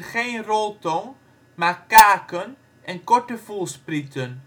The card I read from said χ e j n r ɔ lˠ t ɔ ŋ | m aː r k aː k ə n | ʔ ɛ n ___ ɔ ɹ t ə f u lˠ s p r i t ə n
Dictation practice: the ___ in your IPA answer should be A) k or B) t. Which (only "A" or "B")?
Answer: A